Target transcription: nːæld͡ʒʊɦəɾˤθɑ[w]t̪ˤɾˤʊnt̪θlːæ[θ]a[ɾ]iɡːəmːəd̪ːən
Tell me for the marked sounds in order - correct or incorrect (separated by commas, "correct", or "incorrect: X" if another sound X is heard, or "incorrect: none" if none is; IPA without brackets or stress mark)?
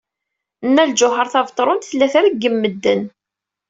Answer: incorrect: v, correct, correct